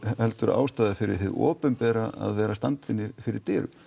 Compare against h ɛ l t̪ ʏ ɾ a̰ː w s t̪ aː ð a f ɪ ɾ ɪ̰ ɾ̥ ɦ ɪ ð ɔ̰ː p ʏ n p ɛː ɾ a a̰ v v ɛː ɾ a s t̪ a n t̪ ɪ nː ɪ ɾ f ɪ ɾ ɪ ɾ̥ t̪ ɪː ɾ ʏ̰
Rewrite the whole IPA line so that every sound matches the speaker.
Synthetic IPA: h ɛ l t̪ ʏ ɾ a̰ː w s t̪ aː ð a f ɪ ɾ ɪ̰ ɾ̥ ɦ ɪ ð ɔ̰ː p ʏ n p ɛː ɾ a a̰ ð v ɛː ɾ a s t̪ a n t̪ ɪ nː ɪ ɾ f ɪ ɾ ɪ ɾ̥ t̪ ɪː ɾ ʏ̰